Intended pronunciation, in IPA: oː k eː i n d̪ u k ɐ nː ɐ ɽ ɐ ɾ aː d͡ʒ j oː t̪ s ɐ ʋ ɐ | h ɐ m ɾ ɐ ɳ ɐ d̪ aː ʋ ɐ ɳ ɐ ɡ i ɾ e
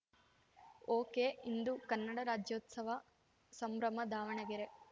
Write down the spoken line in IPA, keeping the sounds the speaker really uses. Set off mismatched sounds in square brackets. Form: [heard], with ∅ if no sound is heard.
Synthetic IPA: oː k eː i n d̪ u k ɐ nː ɐ ɽ ɐ ɾ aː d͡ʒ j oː t̪ s ɐ ʋ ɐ | [s] ɐ m ɾ ɐ [m] ɐ d̪ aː ʋ ɐ ɳ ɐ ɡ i ɾ e